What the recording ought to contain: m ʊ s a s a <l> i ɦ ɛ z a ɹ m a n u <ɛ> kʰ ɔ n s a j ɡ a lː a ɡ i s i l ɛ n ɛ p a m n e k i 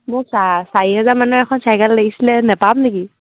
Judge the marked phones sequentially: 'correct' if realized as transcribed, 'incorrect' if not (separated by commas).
incorrect, correct